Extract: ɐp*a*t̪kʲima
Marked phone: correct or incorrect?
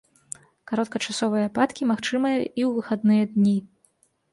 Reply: correct